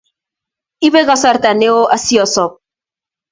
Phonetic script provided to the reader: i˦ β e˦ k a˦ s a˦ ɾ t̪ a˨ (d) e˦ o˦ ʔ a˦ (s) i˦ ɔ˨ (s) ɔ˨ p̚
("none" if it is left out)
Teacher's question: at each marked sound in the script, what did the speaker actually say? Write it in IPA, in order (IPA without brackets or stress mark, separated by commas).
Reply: n, s, s